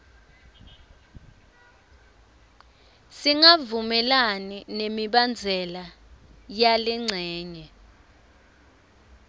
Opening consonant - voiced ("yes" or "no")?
no